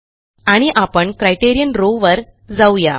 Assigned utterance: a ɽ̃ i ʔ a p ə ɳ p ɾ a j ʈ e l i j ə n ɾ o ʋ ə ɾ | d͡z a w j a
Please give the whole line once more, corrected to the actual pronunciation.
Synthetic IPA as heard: a ɽ̃ i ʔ a p ə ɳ k ɾ a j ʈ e ɾ i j ə n ɾ o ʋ ə ɾ | d͡z a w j a